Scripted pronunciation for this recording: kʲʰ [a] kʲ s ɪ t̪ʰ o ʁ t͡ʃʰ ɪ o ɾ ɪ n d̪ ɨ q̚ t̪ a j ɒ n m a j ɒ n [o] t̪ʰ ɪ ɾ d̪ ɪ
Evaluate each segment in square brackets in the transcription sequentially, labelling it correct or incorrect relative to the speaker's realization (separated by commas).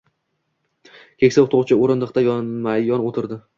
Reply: incorrect, correct